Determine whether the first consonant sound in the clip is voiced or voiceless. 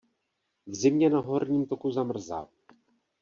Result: voiced